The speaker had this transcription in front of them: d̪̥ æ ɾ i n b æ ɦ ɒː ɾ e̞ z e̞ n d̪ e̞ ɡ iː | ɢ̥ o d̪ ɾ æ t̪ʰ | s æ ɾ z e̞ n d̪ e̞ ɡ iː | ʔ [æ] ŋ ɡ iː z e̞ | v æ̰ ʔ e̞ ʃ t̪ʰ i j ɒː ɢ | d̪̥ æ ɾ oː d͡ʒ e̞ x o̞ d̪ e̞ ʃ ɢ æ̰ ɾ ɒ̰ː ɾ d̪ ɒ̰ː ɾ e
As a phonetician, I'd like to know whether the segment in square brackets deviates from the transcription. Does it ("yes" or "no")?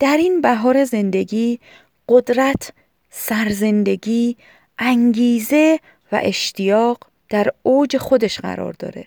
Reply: no